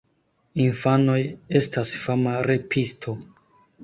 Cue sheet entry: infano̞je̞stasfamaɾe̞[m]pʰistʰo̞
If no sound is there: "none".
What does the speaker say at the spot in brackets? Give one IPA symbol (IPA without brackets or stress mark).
none